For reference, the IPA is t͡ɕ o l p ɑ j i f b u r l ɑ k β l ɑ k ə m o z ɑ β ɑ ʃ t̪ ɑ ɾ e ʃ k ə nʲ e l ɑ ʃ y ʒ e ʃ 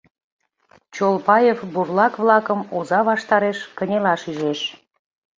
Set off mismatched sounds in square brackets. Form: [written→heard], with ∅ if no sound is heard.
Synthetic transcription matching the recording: t͡ɕ o l p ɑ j [i→e] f b u r l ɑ k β l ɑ k ə m o z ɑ β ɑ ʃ t̪ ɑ ɾ e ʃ k ə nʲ e l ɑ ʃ y ʒ e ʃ